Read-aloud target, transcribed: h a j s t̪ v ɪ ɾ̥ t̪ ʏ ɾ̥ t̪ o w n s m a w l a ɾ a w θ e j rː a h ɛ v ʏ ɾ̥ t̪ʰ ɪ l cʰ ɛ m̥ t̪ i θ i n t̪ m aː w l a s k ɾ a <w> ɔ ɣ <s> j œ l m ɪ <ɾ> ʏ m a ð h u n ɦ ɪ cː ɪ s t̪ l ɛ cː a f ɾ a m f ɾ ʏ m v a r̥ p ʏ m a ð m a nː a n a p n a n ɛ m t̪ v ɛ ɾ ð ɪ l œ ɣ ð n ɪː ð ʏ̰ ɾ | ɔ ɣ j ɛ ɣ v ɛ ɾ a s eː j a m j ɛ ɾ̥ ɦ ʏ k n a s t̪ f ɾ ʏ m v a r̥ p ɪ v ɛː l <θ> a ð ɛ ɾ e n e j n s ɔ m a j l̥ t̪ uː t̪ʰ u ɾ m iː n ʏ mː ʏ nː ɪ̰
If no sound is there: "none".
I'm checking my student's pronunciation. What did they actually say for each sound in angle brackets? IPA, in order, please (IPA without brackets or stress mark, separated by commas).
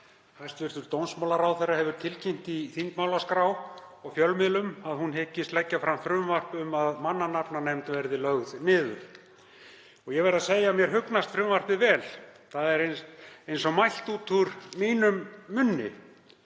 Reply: w, f, l, θ